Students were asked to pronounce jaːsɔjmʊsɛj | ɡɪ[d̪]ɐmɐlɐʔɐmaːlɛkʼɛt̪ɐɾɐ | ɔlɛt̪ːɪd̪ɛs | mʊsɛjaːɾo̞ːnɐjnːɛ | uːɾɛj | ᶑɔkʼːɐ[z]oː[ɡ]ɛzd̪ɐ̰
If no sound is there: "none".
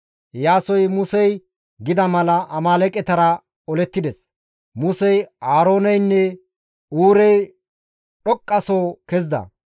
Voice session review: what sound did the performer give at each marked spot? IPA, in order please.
d̪, s, k

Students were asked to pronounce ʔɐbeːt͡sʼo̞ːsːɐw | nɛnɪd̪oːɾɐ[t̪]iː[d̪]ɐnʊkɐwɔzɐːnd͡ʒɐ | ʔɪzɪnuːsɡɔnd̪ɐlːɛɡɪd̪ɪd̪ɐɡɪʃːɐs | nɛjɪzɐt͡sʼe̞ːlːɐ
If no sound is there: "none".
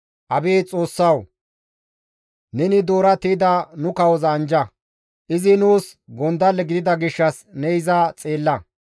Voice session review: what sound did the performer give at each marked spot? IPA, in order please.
t̪, d̪

